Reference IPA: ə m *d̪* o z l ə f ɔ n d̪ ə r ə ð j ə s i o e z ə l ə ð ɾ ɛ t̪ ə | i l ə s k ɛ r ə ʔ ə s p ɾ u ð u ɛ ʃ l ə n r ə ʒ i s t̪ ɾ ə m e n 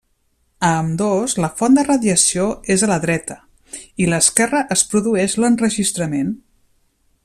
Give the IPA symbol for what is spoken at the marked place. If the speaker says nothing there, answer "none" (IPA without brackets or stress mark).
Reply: d̪